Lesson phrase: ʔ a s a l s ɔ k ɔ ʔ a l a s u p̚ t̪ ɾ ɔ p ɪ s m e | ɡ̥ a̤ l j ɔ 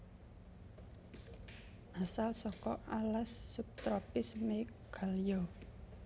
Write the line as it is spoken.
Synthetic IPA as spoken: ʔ a s a l s ɔ k ɔ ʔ a l a sː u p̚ t̪ ɾ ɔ p ɪ s m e | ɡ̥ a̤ l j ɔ